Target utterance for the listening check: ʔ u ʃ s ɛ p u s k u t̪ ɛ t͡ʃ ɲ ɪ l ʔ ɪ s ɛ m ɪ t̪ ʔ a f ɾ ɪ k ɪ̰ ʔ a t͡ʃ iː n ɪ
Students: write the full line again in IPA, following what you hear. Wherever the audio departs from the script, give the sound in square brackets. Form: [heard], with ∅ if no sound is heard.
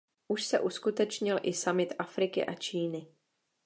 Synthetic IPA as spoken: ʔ u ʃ s ɛ [ʔ] u s k u t̪ ɛ t͡ʃ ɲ ɪ l ʔ ɪ s [a] m ɪ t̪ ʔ a f ɾ ɪ k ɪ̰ ʔ a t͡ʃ iː n ɪ